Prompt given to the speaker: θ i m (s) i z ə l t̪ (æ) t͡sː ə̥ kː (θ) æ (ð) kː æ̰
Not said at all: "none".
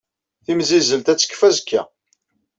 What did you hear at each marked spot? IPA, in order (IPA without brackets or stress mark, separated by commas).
z, æ, f, z